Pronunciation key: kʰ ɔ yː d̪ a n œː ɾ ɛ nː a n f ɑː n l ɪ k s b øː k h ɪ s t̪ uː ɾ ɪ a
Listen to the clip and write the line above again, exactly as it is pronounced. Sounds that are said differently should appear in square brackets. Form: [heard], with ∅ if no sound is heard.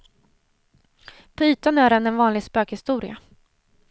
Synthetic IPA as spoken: [pʰ] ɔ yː [t̪] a n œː ɾ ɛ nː [ɛ] n [v] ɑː n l ɪ [ɡ] s [p] øː k h ɪ s t̪ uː ɾ ɪ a